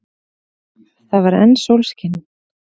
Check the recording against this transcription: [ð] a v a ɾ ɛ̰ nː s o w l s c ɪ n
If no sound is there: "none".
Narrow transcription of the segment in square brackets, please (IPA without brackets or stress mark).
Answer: θ